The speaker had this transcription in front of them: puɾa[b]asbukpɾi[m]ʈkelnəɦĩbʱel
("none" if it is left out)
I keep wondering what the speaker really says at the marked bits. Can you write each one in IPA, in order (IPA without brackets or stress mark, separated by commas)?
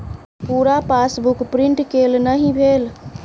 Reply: p, ɳ